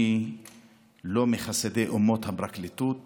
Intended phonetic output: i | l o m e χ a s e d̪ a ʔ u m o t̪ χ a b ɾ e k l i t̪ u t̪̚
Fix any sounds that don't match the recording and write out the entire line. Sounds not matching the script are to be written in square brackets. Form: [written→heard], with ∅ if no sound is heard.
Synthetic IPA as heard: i | l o m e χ a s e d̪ [a→e] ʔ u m o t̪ [χ→h] a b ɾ [e→a] k l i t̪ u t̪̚